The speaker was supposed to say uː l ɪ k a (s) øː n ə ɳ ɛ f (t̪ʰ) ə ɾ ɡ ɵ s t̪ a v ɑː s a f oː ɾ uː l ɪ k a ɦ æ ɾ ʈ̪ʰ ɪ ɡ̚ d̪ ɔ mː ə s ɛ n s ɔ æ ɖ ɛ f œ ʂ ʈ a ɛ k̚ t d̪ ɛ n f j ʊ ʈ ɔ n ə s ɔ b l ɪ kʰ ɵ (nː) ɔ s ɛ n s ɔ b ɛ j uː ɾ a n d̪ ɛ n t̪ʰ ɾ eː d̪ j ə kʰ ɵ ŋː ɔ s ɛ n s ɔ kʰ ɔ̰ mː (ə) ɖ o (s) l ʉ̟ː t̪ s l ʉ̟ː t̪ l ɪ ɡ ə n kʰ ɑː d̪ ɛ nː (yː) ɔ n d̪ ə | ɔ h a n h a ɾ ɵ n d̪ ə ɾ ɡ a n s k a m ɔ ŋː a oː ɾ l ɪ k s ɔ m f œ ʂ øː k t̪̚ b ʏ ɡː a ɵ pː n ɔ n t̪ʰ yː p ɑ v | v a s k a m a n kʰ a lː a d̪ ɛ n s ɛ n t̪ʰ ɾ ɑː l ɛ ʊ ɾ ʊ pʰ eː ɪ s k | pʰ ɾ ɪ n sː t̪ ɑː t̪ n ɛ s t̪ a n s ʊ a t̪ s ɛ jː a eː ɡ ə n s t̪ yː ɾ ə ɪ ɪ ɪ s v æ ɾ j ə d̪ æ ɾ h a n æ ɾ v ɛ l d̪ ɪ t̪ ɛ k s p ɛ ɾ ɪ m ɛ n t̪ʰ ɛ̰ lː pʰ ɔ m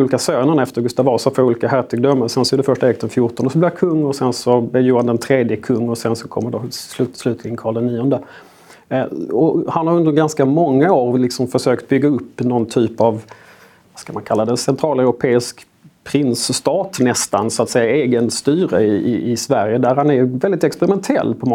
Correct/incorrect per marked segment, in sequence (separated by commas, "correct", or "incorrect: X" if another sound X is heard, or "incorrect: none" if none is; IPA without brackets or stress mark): correct, incorrect: t̪, incorrect: ŋː, correct, correct, incorrect: iː